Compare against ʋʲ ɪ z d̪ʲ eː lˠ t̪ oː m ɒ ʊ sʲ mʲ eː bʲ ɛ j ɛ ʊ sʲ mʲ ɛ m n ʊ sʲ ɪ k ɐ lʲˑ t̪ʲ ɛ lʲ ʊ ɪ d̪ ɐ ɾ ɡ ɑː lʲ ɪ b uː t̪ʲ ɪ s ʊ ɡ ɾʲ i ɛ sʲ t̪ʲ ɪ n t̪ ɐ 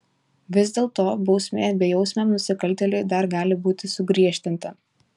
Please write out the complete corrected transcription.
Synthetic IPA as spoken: ʋʲ ɪ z d̪ʲ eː lˠ t̪ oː b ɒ ʊ sʲ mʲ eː bʲ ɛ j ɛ ʊ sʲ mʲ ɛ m n ʊ sʲ ɪ k ɐ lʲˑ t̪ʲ ɛ lʲ ʊ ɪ d̪ ɐ ɾ ɡ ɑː lʲ ɪ b uː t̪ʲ ɪ s ʊ ɡ ɾʲ i ɛ ʃʲ t̪ʲ ɪ n t̪ ɐ